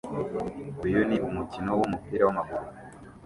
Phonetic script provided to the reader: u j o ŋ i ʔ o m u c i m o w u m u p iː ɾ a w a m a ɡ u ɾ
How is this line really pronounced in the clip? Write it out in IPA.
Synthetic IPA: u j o n i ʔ u m u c i n o w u m u p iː ɾ a w a m a ɡ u ɾ